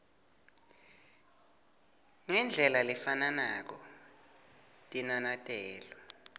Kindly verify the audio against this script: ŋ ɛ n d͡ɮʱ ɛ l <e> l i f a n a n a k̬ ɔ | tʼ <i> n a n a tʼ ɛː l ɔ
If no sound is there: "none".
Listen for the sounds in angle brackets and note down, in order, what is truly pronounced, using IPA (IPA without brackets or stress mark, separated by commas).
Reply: a, i